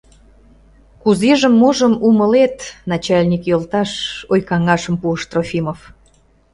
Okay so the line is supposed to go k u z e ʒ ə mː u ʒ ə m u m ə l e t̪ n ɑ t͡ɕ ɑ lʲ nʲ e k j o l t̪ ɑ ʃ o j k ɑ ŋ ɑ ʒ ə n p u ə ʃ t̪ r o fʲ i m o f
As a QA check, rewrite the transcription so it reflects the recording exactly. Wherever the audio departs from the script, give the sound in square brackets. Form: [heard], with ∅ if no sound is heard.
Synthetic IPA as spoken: k u z e ʒ ə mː [o] ʒ ə m u m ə l e t̪ n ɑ t͡ɕ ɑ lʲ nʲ [i] k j o l t̪ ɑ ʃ o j k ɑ ŋ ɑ [ʃ] ə [m] p u ə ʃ t̪ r o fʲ i m o f